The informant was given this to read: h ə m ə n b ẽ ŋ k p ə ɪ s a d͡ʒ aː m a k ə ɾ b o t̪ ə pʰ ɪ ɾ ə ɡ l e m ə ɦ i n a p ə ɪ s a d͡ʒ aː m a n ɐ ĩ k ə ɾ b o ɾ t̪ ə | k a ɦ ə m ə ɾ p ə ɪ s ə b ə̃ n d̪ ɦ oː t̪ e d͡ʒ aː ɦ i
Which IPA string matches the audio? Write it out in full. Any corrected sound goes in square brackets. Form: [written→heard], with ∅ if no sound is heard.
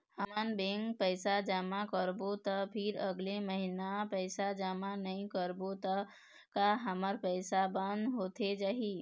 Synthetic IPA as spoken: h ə m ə n b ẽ ŋ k p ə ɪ s a d͡ʒ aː m a k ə ɾ b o t̪ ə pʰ ɪ ɾ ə ɡ l e m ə ɦ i n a p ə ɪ s a d͡ʒ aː m a n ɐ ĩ k ə ɾ b o [ɾ→∅] t̪ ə | k a ɦ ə m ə ɾ p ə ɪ s [ə→a] b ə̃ n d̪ ɦ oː t̪ e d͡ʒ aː ɦ i